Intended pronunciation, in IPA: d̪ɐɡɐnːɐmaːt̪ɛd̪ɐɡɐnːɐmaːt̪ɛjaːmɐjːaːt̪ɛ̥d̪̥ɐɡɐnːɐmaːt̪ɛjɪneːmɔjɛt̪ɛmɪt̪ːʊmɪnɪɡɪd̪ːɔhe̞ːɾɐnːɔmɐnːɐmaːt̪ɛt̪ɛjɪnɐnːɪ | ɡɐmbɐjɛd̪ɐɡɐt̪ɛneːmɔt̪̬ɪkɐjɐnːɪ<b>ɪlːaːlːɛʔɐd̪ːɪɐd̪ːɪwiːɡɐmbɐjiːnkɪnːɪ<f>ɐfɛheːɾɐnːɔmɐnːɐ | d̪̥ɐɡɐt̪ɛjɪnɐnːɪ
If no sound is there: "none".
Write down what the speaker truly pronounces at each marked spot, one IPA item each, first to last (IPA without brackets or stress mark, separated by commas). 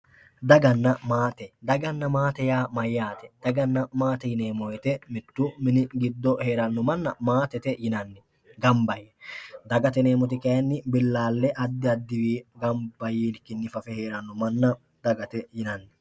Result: b, f